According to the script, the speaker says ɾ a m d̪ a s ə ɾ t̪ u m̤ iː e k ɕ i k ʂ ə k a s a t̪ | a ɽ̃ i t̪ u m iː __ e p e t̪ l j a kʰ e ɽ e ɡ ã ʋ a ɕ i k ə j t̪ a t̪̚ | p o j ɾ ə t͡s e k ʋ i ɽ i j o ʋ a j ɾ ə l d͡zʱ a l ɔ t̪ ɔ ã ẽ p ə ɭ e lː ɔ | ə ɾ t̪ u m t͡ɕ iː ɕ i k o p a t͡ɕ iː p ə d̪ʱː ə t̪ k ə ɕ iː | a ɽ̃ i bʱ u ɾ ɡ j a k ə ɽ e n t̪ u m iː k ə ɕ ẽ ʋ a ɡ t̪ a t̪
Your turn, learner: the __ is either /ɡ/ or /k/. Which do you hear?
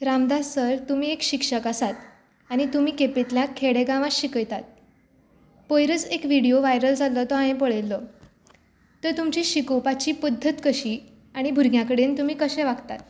k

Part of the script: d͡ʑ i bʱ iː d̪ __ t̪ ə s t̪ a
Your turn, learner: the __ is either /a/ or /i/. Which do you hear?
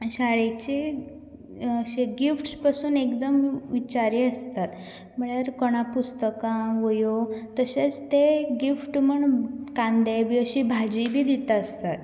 i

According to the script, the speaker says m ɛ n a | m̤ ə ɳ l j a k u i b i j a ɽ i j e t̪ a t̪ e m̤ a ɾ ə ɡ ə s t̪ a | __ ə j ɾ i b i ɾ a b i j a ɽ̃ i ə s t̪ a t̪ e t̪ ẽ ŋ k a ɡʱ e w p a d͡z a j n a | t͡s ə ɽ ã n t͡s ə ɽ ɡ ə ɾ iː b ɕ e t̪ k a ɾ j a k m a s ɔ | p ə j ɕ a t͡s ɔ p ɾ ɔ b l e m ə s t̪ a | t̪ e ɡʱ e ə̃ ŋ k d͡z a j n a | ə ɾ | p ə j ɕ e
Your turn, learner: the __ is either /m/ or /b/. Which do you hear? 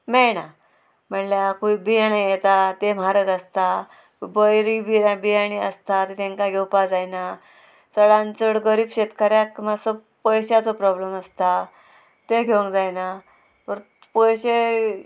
b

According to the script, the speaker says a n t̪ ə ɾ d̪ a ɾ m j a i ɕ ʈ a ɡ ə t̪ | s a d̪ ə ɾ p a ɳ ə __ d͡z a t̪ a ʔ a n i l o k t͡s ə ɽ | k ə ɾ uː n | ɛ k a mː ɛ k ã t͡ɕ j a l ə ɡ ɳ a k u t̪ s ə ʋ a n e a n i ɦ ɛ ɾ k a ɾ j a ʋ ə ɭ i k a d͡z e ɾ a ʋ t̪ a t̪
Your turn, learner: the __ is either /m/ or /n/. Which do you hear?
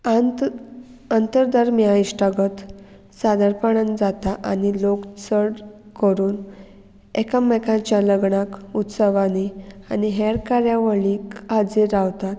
n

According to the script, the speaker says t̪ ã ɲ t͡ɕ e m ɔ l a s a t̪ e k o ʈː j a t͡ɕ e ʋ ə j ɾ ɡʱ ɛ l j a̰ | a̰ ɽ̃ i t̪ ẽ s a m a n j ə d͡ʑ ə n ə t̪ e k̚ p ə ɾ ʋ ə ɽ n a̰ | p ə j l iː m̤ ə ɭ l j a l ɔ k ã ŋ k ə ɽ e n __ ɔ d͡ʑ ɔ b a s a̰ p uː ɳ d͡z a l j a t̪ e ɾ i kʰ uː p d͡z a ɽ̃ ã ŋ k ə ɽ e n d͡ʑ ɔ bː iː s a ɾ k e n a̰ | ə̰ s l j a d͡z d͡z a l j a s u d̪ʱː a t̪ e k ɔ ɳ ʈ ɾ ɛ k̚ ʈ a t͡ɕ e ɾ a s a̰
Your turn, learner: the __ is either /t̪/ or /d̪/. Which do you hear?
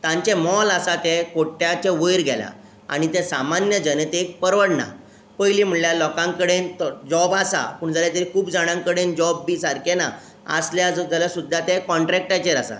t̪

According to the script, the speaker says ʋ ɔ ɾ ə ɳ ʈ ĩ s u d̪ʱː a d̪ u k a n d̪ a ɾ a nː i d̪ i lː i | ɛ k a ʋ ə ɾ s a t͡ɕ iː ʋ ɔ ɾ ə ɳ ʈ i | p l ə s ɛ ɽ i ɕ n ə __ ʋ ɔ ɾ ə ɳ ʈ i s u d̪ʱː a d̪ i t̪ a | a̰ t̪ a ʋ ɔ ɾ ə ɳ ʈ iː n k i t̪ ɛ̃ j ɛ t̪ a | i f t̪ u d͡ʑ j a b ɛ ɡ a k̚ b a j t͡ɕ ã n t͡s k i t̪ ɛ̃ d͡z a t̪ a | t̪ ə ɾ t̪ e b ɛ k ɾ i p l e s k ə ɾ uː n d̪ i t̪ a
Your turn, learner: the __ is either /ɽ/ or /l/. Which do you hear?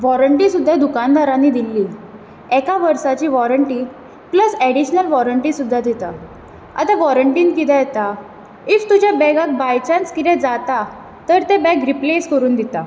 l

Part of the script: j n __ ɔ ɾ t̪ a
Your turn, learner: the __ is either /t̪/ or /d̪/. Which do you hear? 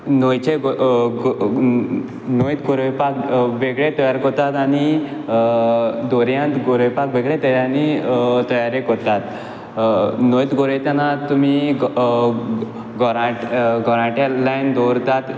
d̪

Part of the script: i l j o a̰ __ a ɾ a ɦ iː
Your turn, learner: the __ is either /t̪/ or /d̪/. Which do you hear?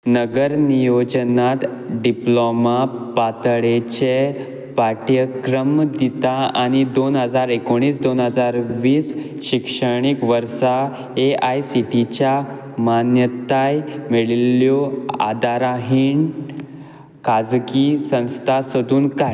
d̪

